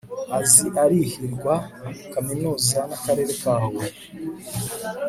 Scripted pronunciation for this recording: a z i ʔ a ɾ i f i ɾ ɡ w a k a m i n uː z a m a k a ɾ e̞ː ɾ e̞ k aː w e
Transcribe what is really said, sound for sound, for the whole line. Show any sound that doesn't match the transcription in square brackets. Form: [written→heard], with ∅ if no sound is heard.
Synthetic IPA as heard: a z i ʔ a ɾ i [f→h] i ɾ ɡ w a k a m i n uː z a [m→n] a k a ɾ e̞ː ɾ e̞ k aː w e